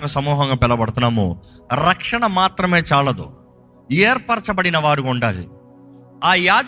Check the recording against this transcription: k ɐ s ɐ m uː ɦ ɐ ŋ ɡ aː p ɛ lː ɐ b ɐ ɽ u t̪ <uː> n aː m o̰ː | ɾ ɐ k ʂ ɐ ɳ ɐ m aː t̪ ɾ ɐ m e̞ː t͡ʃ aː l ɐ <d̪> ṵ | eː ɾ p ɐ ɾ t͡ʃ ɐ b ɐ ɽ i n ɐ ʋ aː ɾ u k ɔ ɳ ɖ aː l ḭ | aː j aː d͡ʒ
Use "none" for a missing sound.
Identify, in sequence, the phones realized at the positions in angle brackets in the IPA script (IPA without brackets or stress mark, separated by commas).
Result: u, d̪